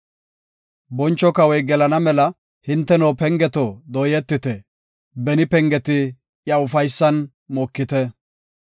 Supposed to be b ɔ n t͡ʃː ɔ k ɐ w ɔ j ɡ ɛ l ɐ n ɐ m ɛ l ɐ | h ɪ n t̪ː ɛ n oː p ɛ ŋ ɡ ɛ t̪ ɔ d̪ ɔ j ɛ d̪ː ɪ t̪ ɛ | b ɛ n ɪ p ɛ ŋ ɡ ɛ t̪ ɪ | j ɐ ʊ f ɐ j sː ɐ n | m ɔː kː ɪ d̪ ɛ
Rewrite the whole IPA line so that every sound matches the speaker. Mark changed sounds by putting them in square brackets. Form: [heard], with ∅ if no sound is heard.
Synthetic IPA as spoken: b ɔ n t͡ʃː ɔ k ɐ w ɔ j ɡ ɛ l ɐ n ɐ m ɛ l ɐ | h ɪ n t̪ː ɛ n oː p ɛ ŋ ɡ ɛ t̪ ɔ d̪ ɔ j ɛ [t̪ː] ɪ t̪ ɛ | b ɛ n ɪ p ɛ ŋ ɡ ɛ t̪ ɪ | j ɐ ʊ f ɐ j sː ɐ n | m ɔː kː ɪ [t̪] ɛ